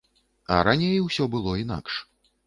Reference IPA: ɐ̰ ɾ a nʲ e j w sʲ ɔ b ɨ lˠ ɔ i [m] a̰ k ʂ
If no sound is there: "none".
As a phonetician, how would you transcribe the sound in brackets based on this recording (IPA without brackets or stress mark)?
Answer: n